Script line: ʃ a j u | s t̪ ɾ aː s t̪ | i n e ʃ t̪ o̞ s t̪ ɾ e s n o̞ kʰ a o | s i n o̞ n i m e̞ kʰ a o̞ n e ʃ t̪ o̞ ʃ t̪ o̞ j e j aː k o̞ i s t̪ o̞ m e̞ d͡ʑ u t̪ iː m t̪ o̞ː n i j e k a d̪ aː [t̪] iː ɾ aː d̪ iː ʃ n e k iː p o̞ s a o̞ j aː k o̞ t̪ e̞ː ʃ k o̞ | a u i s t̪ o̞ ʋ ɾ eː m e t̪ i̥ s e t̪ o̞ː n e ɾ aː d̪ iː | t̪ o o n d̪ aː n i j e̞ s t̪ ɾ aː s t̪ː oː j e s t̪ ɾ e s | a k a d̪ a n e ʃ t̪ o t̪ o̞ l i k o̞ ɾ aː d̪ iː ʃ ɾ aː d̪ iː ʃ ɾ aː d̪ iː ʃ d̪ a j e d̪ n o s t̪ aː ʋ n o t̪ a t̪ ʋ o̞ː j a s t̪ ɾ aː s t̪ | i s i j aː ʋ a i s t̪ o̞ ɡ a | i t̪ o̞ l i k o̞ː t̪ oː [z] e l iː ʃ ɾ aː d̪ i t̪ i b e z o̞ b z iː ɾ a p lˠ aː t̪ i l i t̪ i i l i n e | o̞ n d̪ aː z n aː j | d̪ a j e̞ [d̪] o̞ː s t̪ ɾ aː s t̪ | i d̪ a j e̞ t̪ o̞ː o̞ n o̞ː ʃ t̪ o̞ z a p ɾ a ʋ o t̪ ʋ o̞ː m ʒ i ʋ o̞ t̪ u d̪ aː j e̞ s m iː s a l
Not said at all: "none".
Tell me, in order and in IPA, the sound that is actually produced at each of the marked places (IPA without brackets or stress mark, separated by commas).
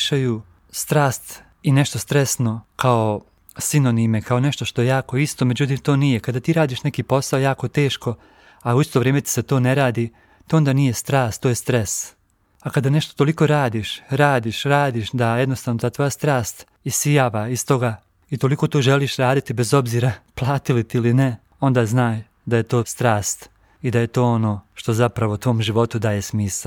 t̪, ʒ, t̪